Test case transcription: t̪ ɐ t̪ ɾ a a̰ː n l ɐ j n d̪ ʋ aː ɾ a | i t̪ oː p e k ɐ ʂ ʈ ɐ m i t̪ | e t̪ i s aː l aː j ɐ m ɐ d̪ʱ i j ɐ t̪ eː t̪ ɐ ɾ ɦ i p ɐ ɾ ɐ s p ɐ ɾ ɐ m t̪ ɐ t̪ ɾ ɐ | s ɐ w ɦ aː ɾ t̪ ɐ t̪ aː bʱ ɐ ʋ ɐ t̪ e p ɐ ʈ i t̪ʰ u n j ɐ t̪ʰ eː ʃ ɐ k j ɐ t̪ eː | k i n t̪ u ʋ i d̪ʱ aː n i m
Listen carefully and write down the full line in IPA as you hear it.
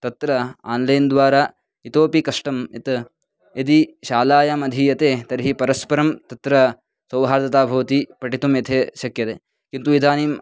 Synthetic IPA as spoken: t̪ ɐ t̪ ɾ ɐ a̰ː n l ɐ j n d̪ ʋ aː ɾ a | i t̪ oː p i k ɐ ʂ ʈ ɐ m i t̪ | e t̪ i ʃ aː l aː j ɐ m ɐ d̪ʱ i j ɐ t̪ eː t̪ ɐ ɾ ɦ i p ɐ ɾ ɐ s p ɐ ɾ ɐ m t̪ ɐ t̪ ɾ ɐ | s ɐ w ɦ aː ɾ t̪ ɐ t̪ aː bʱ ɐ ʋ ɐ t̪ i p ɐ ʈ i t̪ u m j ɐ t̪ʰ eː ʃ ɐ k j ɐ t̪ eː | k i n t̪ u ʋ i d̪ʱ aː n i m